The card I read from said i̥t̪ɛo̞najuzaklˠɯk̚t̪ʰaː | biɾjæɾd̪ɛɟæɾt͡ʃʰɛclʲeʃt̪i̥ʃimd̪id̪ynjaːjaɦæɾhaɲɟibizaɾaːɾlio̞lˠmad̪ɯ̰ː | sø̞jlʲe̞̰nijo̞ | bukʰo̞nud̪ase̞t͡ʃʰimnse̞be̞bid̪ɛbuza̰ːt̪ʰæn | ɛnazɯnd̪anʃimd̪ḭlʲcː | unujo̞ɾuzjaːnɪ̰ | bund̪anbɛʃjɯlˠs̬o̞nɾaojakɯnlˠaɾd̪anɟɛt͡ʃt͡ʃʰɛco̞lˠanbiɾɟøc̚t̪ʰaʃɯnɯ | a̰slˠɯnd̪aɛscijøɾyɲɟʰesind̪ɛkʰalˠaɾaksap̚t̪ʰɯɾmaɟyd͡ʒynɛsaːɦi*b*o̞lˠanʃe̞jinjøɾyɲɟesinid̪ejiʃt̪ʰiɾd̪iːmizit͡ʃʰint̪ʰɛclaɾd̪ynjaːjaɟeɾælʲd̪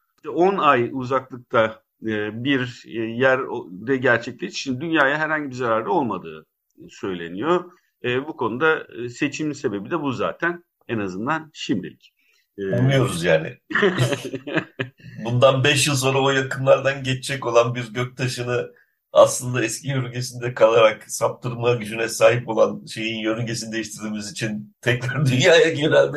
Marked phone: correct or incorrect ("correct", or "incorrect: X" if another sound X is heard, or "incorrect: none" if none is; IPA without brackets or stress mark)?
incorrect: p